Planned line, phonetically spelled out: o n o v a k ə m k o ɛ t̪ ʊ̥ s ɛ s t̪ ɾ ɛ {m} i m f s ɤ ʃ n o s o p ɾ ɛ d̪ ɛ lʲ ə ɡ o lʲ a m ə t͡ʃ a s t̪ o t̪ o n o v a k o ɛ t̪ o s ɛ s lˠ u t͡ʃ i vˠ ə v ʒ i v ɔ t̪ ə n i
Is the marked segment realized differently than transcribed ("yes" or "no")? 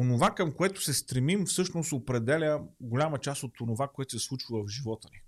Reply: no